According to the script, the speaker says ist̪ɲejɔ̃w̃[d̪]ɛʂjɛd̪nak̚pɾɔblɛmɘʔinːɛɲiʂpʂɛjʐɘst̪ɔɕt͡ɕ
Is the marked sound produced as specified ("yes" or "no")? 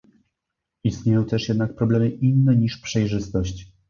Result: no